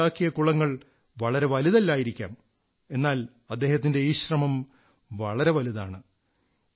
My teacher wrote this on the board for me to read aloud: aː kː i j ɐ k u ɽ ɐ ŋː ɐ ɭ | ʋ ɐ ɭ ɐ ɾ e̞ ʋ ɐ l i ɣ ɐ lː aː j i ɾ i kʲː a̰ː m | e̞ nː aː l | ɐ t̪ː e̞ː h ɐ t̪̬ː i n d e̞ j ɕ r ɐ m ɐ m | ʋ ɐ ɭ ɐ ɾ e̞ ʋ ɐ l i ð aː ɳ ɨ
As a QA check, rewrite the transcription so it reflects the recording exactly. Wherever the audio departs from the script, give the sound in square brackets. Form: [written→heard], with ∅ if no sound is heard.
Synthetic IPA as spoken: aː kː i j ɐ k u [ɽ→ɭ] ɐ ŋː ɐ ɭ | ʋ ɐ ɭ ɐ ɾ e̞ ʋ ɐ l i [ɣ→ð] ɐ lː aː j i ɾ i kʲː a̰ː m | e̞ nː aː l | ɐ [t̪ː→d̪ː] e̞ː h ɐ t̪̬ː i n d e̞ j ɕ r ɐ m ɐ m | ʋ ɐ ɭ ɐ ɾ e̞ ʋ ɐ l i ð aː ɳ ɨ

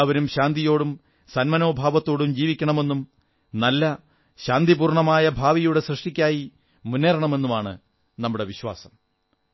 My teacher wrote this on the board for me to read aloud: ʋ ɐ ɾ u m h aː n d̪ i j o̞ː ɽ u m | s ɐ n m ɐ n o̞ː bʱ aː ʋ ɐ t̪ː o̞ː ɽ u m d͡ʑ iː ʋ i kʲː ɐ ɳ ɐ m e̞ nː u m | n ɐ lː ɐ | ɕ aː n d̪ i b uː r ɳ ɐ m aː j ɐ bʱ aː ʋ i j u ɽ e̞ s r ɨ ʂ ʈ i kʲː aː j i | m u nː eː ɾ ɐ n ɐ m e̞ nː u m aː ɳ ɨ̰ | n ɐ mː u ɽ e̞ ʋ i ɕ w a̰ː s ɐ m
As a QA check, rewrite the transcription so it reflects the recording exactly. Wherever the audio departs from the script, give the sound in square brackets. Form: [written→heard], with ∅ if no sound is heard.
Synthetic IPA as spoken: ʋ ɐ ɾ u m [h→ɕ] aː n d̪ i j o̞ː ɽ u m | s ɐ n m ɐ n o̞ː bʱ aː ʋ ɐ t̪ː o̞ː ɽ u m d͡ʑ iː ʋ i kʲː ɐ ɳ ɐ m e̞ nː u m | n ɐ lː ɐ | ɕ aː n d̪ i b uː r ɳ ɐ m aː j ɐ bʱ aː ʋ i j u ɽ e̞ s r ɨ ʂ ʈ i kʲː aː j i | m u nː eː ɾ ɐ [n→ɳ] ɐ m e̞ nː u m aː ɳ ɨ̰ | n ɐ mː u ɽ e̞ ʋ i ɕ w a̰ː s ɐ m

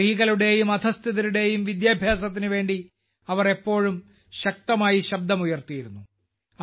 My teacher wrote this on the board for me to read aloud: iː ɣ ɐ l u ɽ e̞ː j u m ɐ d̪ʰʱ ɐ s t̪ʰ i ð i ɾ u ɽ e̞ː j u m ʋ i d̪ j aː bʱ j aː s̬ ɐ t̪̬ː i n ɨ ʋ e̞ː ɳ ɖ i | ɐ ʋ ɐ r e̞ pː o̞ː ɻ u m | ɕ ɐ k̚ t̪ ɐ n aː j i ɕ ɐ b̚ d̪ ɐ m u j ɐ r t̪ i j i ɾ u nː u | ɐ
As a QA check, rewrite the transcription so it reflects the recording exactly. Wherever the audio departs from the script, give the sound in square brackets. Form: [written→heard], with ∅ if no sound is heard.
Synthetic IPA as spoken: iː ɣ ɐ l u ɽ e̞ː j u m ɐ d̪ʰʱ ɐ s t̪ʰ i ð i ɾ u ɽ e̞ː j u m ʋ i d̪ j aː bʱ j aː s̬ ɐ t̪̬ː i n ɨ ʋ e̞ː ɳ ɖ i | ɐ ʋ ɐ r e̞ pː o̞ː ɻ u m | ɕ ɐ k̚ t̪ ɐ [n→m] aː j i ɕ ɐ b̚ d̪ ɐ m u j ɐ r t̪ i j i ɾ u nː u | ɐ

